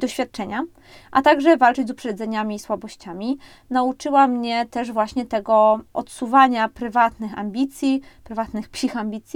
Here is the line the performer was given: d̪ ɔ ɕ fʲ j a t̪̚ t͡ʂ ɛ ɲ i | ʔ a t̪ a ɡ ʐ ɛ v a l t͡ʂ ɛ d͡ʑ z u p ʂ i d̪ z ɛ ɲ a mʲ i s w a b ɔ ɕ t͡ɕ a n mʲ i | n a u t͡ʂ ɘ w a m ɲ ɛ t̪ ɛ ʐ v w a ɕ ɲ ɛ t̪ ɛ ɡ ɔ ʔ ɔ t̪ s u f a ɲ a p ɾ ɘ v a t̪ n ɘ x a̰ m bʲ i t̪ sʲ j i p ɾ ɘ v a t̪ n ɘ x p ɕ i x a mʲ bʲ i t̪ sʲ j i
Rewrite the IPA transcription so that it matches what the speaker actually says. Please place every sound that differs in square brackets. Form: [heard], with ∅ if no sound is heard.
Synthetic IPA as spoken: d̪ ɔ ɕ fʲ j a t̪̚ t͡ʂ ɛ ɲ [a] | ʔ a t̪ a ɡ ʐ ɛ v a l t͡ʂ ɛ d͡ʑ z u p ʂ [ɛ] d̪ z ɛ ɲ a mʲ i s w a b ɔ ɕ t͡ɕ a [∅] mʲ i | n a u t͡ʂ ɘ w a m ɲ ɛ t̪ ɛ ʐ v w a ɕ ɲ ɛ t̪ ɛ ɡ ɔ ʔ ɔ t̪ s u [v] a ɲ a p ɾ ɘ v a t̪ n ɘ x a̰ m bʲ i t̪ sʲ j i p ɾ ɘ v a t̪ n ɘ x p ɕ i x a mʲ bʲ i t̪ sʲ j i